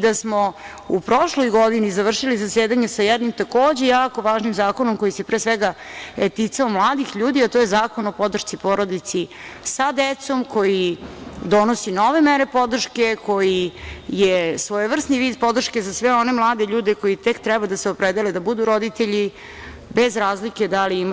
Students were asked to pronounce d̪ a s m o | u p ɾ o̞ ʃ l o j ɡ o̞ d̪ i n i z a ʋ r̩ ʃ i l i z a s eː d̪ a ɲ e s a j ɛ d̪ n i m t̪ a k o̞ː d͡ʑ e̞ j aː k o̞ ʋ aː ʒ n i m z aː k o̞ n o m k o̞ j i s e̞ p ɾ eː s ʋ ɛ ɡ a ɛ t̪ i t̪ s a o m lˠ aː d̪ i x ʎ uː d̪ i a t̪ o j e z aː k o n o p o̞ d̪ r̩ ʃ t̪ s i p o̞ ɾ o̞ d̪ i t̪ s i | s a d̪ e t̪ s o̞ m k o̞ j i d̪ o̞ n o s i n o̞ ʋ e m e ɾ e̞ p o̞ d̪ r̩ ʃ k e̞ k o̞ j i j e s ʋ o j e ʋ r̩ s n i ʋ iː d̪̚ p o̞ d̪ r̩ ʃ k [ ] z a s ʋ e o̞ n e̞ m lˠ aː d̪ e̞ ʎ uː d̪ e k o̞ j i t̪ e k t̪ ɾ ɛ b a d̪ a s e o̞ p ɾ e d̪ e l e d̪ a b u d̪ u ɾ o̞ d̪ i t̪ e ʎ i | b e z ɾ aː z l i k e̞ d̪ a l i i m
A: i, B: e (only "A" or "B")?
B